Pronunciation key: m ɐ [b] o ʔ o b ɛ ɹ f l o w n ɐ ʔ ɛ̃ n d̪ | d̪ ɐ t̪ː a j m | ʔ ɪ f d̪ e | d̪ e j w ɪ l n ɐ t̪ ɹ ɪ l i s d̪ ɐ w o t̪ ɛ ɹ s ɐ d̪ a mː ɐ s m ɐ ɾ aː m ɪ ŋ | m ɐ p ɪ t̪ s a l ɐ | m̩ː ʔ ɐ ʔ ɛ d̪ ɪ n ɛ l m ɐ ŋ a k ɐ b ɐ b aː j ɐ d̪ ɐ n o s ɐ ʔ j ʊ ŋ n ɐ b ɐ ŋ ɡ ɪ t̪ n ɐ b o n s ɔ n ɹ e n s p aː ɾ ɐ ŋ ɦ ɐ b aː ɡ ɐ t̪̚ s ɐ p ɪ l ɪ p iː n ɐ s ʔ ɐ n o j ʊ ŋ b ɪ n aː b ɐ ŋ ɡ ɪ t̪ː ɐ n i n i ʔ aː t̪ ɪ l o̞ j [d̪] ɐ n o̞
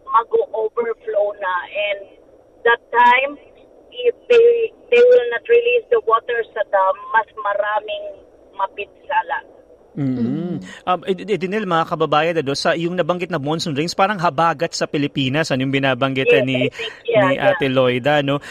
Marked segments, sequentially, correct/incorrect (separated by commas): incorrect, correct